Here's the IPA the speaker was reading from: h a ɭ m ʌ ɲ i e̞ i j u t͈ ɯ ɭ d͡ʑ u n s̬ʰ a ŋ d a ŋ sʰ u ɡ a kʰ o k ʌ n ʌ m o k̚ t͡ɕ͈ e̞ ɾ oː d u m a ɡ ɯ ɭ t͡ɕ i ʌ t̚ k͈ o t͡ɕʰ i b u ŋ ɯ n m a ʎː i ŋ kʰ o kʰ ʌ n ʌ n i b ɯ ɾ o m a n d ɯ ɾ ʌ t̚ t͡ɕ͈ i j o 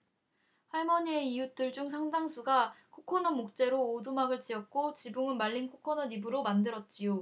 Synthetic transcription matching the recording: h a ɭ m ʌ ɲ i e̞ i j u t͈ ɯ ɭ d͡ʑ u ŋ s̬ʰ a ŋ d a ŋ sʰ u ɡ a kʰ o kʰ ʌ n ʌ m o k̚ t͡ɕ͈ e̞ ɾ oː d u m a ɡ ɯ ɭ t͡ɕ i ʌ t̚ k͈ o t͡ɕ i b u ŋ ɯ n m a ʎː i n kʰ o kʰ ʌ n ʌ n i b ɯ ɾ o m a n d ɯ ɾ ʌ t̚ t͡ɕ͈ i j o